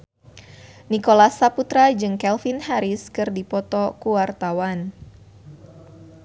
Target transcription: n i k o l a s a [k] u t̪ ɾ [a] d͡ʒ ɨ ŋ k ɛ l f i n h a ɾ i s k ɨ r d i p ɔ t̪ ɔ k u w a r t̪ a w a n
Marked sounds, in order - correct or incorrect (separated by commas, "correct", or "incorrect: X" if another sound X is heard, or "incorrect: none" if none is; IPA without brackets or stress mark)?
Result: incorrect: p, correct